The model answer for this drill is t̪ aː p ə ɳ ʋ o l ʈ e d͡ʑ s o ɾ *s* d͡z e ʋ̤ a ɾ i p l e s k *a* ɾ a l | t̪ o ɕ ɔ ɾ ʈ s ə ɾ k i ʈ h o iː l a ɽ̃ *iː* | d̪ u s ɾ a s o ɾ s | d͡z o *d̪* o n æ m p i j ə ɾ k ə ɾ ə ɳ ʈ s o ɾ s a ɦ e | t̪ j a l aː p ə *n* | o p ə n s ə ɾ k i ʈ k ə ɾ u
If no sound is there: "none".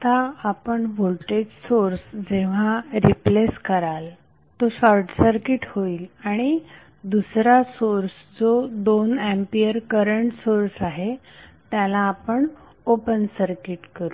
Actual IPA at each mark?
s, ə, i, d̪, ɳ

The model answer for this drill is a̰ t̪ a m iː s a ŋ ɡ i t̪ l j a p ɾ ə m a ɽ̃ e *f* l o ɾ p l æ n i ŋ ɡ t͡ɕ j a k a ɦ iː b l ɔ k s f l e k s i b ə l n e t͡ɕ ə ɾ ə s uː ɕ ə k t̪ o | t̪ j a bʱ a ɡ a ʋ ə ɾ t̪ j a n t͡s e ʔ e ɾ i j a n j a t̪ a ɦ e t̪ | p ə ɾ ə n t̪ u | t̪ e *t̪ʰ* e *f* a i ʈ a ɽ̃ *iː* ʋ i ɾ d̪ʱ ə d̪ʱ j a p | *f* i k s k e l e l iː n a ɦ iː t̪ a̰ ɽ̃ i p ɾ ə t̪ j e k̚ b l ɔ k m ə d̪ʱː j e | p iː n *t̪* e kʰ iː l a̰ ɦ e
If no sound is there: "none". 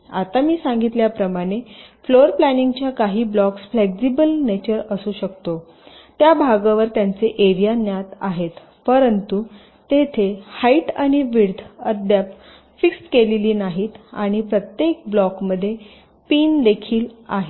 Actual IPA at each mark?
f, t̪ʰ, h, i, f, d̪

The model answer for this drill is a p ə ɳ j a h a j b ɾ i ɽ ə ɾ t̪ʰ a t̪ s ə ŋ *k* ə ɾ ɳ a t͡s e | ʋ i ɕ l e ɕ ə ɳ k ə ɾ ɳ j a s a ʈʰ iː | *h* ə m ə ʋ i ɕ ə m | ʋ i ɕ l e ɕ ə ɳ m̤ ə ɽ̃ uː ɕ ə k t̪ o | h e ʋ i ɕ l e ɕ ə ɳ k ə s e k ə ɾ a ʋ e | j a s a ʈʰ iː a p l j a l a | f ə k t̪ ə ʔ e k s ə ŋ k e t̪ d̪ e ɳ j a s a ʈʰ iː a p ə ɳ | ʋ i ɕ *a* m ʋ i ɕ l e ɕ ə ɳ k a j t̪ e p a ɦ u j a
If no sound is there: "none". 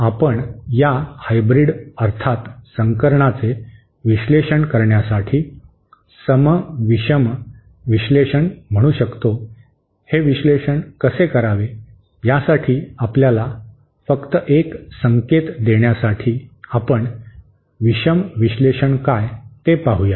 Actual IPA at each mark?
k, s, ə

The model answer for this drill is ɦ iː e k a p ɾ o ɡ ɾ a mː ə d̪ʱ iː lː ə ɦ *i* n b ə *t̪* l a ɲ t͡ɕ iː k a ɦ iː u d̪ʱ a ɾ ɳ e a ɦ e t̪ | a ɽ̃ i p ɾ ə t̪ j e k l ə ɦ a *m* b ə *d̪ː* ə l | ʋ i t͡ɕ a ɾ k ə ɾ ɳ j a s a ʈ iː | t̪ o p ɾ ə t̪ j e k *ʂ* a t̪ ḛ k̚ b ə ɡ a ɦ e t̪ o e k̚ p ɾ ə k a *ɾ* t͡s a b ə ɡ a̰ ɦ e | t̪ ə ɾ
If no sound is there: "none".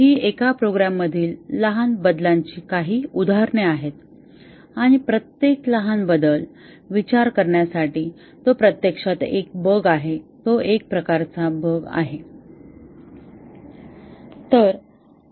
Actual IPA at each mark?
a, d̪, n, d̪, ʂ, ɾ

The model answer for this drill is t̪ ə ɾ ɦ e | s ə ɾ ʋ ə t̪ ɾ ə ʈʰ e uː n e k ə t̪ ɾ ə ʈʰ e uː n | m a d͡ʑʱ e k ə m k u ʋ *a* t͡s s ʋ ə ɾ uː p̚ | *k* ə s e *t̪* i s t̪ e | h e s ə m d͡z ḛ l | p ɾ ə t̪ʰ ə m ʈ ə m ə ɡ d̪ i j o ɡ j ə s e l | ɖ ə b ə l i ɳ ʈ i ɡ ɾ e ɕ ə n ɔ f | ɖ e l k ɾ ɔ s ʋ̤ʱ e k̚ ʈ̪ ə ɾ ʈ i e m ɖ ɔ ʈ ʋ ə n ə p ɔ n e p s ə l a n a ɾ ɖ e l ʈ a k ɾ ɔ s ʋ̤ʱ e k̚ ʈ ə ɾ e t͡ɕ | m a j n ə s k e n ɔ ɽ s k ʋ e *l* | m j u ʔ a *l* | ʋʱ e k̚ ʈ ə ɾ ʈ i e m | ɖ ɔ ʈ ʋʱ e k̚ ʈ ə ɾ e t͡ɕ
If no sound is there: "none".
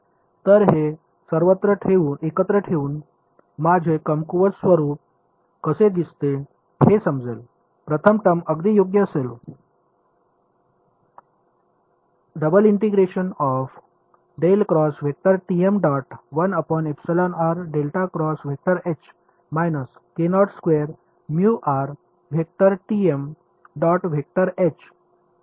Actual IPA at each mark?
ə, k, d̪, ɾ, ɾ

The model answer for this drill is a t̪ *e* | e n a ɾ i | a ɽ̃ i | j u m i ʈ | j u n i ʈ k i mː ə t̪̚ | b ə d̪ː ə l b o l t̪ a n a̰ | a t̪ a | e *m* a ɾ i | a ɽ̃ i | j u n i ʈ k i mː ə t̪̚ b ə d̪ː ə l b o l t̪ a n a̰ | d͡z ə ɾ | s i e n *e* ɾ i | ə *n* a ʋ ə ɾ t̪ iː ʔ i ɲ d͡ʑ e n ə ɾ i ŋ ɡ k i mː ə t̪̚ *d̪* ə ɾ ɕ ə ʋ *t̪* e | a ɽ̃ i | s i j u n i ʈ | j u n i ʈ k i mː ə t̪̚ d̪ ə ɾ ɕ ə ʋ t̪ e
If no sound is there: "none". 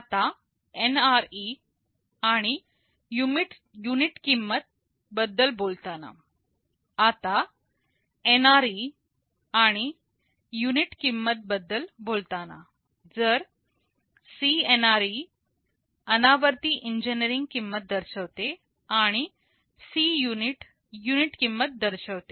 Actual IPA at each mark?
a, n, a, n, d̪, t̪

